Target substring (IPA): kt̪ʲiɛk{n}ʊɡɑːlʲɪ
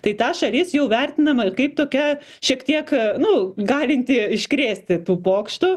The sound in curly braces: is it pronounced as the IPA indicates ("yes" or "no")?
yes